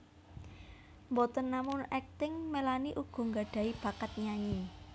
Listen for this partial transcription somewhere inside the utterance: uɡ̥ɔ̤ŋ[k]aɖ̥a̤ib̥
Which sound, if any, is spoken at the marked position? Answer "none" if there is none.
ɡ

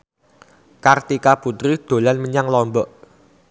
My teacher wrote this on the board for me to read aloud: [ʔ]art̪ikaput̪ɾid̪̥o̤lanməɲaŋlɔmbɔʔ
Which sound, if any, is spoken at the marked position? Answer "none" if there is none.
k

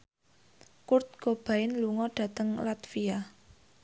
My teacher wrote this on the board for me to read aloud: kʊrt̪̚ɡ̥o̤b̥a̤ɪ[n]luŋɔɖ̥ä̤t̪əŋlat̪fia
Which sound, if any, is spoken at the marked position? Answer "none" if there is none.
n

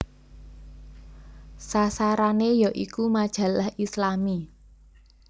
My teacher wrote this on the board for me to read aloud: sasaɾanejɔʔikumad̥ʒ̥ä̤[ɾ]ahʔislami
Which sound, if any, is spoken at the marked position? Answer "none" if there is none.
l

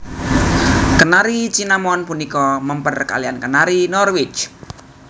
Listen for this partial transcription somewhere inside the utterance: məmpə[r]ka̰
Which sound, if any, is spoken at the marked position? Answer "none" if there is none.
r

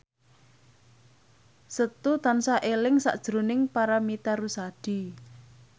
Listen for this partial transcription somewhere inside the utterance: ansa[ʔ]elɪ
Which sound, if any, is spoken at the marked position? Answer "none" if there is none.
ʔ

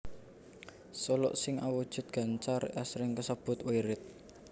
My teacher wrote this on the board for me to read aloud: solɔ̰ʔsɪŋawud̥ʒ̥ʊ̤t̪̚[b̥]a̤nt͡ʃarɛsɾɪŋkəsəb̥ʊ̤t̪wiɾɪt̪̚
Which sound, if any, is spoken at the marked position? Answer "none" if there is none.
ɡ̥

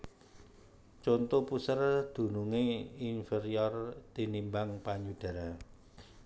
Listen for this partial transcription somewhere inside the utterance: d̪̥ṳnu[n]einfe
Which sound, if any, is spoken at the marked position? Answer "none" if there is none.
ŋ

